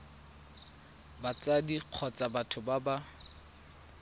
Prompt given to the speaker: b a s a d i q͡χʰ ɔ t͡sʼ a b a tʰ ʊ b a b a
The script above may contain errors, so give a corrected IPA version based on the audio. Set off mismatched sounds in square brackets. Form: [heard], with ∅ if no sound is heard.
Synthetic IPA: b a [t͡s] a d i q͡χʰ ɔ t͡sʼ a b a tʰ ʊ b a b a

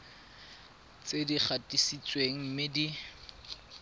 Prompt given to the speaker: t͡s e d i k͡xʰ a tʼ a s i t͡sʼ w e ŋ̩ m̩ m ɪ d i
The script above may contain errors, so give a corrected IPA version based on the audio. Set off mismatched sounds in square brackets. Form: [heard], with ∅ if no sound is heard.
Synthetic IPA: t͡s e d i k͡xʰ a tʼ [i] s i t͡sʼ w e ŋ̩ m̩ m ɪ d i

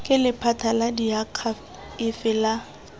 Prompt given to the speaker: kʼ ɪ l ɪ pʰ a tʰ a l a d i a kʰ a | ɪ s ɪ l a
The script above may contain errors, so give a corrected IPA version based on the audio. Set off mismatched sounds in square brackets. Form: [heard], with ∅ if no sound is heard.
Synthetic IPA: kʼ ɪ l ɪ pʰ a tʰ a l a d i a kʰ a | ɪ [f] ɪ l a

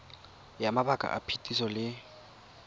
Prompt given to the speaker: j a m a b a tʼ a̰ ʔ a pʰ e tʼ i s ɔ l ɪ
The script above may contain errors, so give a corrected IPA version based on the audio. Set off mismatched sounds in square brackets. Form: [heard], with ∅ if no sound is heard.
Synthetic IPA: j a m a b a [kʼ] a̰ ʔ a pʰ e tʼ i s ɔ l ɪ

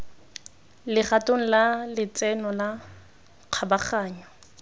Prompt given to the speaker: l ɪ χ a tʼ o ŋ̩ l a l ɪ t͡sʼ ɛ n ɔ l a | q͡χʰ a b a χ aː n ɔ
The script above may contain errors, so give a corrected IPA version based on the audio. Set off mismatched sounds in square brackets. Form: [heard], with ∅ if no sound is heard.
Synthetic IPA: l ɪ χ a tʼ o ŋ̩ l a l ɪ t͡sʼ ɛ n ɔ l a | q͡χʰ a b a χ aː [ɲ] ɔ

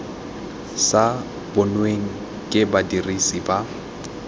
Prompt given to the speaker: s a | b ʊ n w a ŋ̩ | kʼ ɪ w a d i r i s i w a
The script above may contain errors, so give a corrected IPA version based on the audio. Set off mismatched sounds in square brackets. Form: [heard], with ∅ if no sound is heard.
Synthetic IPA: s a | b ʊ n w [e] ŋ̩ | kʼ ɪ [b] a d i r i s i [b] a

